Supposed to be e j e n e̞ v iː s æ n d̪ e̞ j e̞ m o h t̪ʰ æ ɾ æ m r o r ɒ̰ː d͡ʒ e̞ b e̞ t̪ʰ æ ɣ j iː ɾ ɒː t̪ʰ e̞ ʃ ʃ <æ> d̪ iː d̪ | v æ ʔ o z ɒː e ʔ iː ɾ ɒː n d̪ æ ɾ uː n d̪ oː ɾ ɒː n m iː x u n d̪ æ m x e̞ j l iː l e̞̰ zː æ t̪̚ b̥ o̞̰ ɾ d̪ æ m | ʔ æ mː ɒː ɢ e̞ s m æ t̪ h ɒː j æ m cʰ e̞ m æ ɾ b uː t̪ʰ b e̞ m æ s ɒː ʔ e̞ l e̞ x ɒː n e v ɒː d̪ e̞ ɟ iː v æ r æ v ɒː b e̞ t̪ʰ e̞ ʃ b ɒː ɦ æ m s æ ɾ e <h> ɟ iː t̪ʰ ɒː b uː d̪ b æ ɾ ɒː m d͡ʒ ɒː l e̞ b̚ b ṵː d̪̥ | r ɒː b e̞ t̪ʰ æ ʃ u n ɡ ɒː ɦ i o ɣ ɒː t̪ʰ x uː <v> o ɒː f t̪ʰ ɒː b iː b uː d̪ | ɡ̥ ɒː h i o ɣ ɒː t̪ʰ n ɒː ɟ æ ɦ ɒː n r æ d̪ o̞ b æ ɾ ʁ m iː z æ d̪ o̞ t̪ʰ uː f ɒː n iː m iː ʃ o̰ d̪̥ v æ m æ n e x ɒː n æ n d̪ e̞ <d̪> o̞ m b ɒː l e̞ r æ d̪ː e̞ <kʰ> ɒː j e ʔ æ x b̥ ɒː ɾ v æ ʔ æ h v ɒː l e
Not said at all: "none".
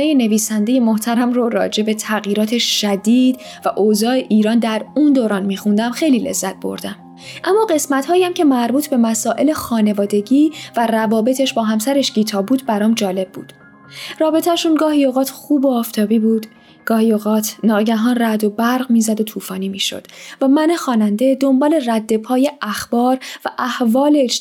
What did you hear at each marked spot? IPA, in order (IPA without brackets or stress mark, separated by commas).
æ, ʃ, b, d̪, pʰ